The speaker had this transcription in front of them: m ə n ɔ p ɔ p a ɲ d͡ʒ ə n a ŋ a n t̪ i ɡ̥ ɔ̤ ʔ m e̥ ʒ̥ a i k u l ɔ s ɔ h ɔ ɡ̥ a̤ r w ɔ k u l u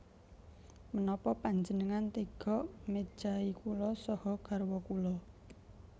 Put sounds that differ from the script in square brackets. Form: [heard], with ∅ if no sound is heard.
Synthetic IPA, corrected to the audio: m ə n ɔ p ɔ p a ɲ d͡ʒ ə n [ə] ŋ a n t̪ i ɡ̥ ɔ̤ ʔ m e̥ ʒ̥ a i k u l ɔ s ɔ h ɔ ɡ̥ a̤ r w ɔ k u l [ɔ]